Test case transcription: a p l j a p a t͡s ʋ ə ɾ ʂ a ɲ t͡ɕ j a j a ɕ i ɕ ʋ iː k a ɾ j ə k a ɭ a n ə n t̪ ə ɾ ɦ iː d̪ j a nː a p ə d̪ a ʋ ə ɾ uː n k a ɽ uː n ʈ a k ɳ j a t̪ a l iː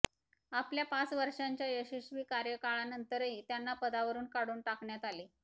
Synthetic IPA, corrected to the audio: a p l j a p a t͡s ʋ ə ɾ ʂ a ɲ t͡ɕ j a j ə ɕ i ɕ ʋ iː k a ɾ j ə k a ɭ a n ə n t̪ ə ɾ ɦ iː t̪ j a nː a p ə d̪ a ʋ ə ɾ uː n k a ɽ uː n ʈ a k ɳ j a t̪ a l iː